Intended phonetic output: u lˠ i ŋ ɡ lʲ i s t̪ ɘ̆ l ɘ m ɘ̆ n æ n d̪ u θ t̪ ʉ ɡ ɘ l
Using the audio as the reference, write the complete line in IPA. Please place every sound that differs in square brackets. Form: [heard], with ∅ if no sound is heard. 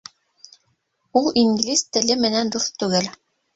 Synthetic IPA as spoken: u lˠ i ŋ ɡ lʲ i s t̪ ɘ̆ l ɘ m ɘ̆ n æ n d̪ u θ t̪ ʉ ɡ ɘ l